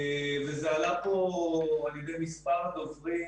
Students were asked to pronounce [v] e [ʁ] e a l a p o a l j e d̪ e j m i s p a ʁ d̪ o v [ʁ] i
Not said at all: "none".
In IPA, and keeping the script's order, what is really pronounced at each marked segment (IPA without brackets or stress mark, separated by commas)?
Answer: v, z, ʁ